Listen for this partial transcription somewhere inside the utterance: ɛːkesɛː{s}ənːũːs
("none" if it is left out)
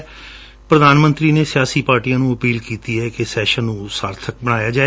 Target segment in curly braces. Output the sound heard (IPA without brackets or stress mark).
ʃ